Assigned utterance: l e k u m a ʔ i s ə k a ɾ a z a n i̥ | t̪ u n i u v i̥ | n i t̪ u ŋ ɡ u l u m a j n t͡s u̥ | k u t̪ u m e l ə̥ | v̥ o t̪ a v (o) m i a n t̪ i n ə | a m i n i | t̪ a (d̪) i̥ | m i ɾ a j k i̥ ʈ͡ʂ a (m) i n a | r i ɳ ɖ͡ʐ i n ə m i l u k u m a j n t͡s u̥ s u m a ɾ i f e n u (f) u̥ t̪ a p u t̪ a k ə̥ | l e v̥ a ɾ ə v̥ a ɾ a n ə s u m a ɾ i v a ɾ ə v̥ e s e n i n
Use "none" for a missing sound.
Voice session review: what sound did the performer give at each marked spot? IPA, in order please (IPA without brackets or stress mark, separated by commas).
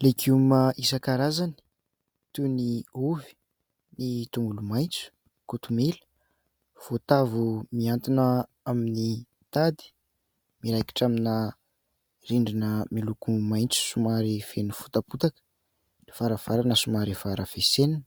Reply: u, d̪, m, f